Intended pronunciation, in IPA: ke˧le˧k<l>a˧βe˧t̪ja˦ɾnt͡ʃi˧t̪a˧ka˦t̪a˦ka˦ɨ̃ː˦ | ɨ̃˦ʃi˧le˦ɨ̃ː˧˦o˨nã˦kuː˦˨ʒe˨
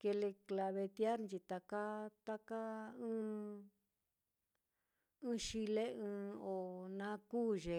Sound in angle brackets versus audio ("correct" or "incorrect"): correct